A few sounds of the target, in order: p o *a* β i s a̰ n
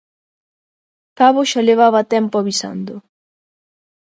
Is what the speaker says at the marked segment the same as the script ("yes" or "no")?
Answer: yes